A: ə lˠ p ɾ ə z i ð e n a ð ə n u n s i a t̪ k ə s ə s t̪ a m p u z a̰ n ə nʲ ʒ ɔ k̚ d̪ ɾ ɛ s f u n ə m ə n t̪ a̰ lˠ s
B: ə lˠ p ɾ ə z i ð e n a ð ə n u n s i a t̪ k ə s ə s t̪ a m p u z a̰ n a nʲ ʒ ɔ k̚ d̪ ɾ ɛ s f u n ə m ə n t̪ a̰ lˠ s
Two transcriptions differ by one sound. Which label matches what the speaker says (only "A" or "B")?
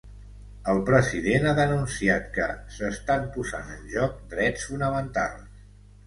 A